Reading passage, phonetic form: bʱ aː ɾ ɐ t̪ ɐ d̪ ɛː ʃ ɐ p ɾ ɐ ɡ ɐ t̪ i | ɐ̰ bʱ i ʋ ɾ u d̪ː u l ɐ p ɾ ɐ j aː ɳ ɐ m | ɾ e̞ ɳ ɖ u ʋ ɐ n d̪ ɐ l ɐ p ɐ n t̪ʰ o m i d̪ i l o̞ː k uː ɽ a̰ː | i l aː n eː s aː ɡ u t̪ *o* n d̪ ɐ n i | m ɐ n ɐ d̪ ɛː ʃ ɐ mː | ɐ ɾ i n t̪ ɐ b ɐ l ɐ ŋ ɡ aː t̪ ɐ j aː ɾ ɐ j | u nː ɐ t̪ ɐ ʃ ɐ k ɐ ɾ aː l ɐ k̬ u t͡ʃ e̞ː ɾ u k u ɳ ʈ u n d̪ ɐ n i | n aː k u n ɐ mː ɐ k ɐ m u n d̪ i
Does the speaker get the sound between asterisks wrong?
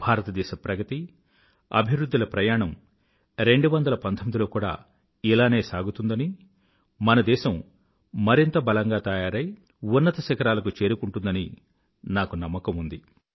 yes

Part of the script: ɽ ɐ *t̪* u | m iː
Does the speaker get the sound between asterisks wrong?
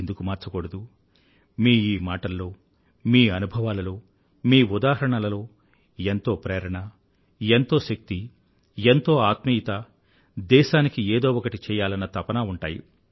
yes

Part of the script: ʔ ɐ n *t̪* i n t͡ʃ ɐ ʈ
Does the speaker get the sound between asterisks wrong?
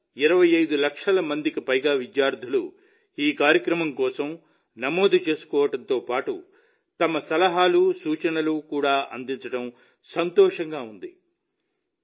yes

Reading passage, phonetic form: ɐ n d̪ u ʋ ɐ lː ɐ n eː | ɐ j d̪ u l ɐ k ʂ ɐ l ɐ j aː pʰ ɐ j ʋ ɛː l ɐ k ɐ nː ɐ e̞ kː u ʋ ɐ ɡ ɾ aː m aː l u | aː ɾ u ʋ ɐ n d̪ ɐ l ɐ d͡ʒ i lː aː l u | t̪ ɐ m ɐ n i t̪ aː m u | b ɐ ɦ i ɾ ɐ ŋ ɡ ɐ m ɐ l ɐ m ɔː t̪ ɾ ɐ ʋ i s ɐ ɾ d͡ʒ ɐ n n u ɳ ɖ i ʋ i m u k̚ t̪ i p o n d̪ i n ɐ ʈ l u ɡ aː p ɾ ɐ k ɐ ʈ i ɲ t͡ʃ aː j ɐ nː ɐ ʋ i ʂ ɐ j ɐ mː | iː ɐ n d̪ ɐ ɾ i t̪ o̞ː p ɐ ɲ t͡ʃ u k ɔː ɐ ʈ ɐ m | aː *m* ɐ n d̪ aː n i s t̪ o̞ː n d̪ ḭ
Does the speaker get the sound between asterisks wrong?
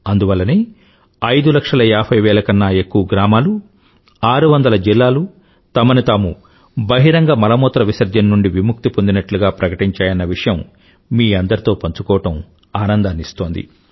yes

